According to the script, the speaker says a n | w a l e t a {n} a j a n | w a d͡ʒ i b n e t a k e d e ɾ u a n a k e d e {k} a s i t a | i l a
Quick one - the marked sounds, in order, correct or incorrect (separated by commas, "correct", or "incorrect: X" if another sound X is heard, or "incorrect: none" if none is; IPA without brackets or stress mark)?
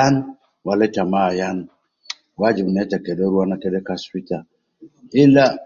incorrect: m, correct